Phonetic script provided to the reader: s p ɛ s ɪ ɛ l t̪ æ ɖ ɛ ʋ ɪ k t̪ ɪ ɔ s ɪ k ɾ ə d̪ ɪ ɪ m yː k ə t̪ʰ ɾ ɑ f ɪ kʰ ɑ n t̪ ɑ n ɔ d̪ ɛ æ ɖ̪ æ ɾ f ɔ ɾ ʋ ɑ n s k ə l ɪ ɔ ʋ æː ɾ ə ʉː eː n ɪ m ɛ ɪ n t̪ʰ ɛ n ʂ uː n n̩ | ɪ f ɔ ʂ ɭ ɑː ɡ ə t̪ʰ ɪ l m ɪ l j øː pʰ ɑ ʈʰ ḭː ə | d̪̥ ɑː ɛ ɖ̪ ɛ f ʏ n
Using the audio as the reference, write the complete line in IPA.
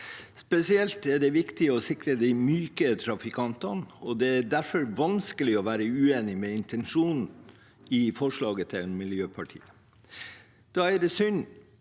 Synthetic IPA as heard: s p ɛ s ɪ ɛ l t̪ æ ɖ ɛ ʋ ɪ k t̪ ɪ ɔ s ɪ k ɾ ə d̪ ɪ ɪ m yː k ə t̪ʰ ɾ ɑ f ɪ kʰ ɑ n t̪ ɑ n ɔ d̪ ɛ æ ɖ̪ æ ɾ f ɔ ɾ ʋ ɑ n s k ə l ɪ ɔ ʋ æː ɾ ə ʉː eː n ɪ m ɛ ɪ n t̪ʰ ɛ n ʂ uː n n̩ | ɪ f ɔ ʂ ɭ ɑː ɡ ə t̪ʰ ɪ l m ɪ l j øː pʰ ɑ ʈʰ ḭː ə | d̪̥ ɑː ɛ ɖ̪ ɛ s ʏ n